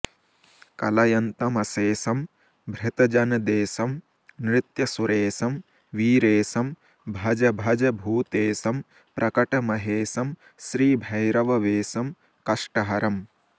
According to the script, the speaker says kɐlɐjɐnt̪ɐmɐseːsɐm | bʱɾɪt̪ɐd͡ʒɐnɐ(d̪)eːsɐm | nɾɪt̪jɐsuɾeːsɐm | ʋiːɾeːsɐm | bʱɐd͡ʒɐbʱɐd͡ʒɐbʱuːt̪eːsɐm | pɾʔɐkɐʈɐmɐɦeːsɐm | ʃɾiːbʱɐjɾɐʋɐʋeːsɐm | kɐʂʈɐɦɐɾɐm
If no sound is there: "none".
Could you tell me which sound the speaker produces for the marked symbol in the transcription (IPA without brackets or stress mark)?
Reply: d̪